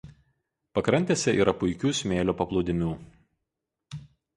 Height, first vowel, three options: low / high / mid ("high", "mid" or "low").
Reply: low